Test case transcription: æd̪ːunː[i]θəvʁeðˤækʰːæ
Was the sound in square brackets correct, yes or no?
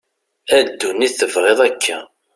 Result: yes